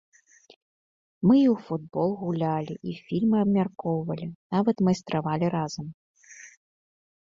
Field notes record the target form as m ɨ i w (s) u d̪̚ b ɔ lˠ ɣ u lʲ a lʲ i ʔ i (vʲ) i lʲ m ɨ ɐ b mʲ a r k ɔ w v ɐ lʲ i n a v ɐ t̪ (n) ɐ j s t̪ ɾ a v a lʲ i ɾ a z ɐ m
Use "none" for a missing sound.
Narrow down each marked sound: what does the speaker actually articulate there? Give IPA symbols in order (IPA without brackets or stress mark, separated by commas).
f, fʲ, m